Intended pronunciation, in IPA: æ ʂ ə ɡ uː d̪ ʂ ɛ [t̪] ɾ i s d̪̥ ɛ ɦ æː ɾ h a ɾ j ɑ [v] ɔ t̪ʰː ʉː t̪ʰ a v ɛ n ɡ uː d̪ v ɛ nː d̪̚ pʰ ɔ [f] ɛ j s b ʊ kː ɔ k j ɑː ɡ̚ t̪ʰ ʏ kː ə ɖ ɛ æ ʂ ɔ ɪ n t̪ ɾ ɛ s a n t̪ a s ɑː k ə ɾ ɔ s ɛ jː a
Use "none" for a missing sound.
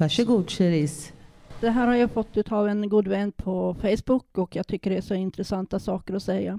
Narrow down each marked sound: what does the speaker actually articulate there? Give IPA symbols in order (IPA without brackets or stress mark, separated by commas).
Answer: none, f, f